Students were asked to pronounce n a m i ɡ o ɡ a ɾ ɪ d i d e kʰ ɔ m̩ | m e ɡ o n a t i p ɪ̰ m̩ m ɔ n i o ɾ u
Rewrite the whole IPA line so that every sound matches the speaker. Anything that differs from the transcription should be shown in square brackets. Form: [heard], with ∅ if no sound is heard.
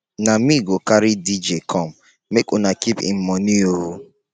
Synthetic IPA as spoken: n a m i ɡ o [k] a ɾ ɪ d i [d͡ʒ] e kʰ ɔ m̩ | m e [k] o n a [k] i p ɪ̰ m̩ m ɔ n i o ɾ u